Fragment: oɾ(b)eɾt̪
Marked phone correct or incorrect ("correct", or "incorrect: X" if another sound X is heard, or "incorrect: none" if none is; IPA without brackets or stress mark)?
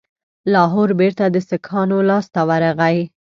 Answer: correct